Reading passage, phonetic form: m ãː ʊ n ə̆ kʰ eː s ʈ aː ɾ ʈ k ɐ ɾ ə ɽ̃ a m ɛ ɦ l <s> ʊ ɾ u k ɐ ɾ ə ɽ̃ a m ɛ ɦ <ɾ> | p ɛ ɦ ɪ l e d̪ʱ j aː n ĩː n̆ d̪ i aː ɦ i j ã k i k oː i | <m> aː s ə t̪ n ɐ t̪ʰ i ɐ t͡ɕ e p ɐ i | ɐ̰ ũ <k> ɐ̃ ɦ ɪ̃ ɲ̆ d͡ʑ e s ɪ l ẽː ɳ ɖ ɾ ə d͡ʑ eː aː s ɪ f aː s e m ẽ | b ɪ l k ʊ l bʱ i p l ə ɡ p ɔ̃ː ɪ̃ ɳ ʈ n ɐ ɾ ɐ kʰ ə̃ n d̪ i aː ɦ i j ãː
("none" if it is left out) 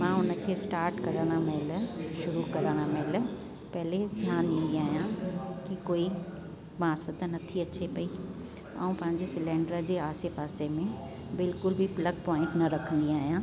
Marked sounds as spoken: ʃ, l, m, p

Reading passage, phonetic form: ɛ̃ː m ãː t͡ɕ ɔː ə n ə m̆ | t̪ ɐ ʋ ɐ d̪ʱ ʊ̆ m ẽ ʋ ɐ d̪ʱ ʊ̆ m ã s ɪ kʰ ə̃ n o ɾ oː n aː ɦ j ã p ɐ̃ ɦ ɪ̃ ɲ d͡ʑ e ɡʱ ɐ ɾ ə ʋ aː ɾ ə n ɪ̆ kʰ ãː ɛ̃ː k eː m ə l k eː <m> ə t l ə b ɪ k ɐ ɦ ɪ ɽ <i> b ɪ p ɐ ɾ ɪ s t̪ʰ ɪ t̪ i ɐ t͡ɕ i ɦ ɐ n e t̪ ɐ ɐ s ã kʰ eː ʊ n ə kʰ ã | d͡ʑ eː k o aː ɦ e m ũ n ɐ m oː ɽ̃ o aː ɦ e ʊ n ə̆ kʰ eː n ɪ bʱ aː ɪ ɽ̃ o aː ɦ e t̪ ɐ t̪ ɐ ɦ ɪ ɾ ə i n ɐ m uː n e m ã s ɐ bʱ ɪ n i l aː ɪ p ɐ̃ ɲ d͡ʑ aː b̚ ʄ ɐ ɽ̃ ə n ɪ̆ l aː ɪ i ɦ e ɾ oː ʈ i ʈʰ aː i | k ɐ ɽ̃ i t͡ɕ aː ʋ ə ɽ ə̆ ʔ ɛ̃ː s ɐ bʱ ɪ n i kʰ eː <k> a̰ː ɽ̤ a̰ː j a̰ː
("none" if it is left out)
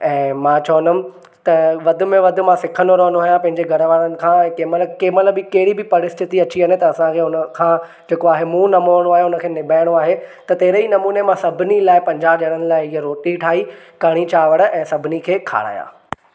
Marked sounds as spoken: m, i, kʰ

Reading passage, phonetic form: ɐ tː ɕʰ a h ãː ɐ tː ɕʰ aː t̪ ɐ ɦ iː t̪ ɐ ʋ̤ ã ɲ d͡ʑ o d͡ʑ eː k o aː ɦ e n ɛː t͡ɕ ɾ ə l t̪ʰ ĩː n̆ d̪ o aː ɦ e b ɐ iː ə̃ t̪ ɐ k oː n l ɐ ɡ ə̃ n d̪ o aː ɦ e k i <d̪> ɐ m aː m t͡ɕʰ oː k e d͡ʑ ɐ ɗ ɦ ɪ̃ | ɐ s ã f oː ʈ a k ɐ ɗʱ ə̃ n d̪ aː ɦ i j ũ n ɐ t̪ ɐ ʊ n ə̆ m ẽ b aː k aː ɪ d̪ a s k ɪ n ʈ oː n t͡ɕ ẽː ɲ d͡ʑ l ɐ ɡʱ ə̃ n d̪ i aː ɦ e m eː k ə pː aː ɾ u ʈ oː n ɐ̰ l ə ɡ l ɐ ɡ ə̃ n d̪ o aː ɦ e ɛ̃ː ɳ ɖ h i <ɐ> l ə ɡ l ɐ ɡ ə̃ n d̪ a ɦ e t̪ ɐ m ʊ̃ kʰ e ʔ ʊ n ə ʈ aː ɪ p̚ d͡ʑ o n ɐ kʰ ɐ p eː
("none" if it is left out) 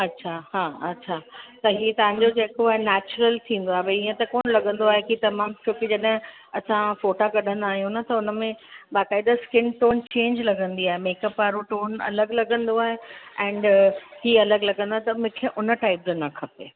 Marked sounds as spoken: t̪, ɐ

